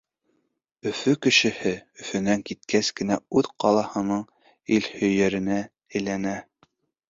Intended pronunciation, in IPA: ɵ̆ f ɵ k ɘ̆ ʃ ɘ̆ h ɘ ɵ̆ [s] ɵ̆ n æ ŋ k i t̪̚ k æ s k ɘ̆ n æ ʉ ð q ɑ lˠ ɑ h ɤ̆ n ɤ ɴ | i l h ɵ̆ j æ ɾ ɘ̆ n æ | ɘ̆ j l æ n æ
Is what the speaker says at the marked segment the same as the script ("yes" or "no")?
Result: no